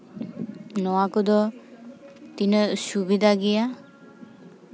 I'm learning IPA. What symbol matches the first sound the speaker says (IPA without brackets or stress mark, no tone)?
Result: n